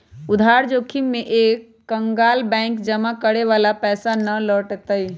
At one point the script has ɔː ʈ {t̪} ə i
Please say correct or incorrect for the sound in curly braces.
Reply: correct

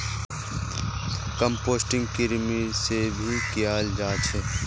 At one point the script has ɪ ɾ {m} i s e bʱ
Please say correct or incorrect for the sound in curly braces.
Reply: correct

